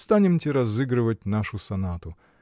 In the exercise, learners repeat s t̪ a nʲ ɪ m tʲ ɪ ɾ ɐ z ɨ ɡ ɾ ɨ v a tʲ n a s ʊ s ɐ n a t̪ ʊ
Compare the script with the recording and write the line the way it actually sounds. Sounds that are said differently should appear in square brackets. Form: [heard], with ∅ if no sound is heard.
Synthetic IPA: s t̪ a nʲ ɪ m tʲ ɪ ɾ ɐ z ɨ ɡ ɾ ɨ v [ə] tʲ n a [ʂ] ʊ s ɐ n a t̪ ʊ